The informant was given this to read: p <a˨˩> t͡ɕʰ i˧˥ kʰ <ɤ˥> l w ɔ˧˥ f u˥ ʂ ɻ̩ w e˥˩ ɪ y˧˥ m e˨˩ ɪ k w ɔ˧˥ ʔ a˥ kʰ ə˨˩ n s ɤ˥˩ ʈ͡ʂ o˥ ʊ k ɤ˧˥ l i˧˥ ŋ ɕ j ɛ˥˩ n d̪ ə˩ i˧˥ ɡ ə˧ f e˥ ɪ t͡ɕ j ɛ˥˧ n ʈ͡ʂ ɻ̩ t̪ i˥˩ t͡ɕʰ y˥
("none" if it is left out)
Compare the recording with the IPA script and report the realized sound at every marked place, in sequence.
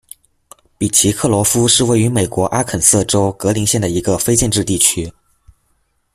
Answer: i˨˩, ɤ˥˩

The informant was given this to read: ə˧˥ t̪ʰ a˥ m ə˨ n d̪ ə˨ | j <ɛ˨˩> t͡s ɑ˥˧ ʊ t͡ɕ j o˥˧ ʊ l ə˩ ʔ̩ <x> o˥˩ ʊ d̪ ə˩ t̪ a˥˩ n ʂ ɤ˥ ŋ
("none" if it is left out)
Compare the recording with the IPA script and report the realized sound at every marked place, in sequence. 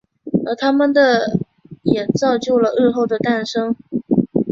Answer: ɛ˨˩, x

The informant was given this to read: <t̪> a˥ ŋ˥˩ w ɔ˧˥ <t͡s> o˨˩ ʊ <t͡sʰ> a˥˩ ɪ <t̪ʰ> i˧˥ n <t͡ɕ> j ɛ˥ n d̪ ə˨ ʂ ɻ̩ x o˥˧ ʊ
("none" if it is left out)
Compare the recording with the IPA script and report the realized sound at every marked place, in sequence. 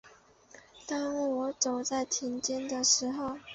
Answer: t̪, t͡s, t͡s, t̪ʰ, t͡ɕ

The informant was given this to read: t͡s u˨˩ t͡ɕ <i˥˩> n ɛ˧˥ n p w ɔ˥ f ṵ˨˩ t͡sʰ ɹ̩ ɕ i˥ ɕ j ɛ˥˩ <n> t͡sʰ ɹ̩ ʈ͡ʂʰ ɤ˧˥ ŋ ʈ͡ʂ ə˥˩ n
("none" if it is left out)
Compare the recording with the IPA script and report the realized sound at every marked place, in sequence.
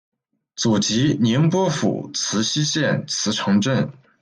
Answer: i˧˥, n

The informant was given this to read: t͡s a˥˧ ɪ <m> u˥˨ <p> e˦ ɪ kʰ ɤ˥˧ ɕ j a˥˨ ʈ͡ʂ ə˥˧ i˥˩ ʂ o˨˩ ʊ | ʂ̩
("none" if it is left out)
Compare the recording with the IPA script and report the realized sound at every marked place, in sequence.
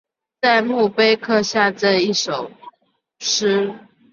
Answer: m, p

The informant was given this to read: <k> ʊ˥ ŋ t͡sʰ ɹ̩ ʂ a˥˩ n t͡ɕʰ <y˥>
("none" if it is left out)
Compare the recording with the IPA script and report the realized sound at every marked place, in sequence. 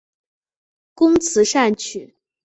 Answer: k, y˨˩˦

